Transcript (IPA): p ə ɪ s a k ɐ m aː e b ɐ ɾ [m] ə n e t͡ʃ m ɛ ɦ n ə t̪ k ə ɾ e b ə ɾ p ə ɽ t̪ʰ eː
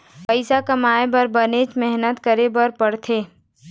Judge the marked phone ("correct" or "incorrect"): incorrect